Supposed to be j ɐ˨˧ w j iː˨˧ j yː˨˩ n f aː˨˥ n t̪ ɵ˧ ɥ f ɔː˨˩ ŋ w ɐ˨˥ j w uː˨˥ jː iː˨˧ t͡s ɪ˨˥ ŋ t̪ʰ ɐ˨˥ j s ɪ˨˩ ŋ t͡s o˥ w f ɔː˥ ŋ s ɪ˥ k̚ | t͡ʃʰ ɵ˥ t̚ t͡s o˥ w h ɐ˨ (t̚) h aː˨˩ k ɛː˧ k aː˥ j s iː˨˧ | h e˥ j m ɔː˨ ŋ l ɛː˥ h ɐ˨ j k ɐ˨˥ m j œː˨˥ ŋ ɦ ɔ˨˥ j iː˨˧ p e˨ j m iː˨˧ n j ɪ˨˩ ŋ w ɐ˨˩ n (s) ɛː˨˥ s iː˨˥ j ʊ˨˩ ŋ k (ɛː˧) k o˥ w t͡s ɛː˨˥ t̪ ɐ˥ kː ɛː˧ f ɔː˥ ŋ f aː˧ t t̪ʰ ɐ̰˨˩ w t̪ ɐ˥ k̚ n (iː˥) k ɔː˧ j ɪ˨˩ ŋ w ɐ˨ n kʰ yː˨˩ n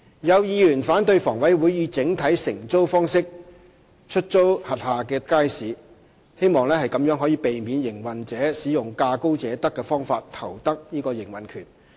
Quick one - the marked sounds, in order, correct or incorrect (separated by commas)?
correct, incorrect, incorrect, correct